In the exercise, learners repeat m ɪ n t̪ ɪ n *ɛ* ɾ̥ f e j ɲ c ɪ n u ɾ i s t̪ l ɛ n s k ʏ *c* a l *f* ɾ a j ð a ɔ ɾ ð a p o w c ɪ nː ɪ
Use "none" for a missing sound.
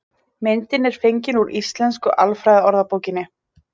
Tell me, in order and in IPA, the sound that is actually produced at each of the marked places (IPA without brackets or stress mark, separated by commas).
ɛ, ʔ, f